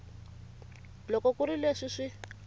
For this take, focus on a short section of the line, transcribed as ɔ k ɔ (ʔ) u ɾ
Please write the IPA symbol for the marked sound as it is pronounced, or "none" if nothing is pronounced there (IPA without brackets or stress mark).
k